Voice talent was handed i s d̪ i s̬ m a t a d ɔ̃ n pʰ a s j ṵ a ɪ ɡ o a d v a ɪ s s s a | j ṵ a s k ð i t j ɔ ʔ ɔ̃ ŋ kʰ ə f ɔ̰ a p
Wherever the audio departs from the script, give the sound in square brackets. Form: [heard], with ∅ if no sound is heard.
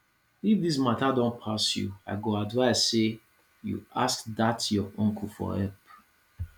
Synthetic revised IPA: i [f] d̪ i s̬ m a t a d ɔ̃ n pʰ a s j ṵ a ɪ ɡ o a d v a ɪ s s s [e] | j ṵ a s k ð [a] t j ɔ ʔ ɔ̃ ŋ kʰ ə f ɔ̰ [ɛ] p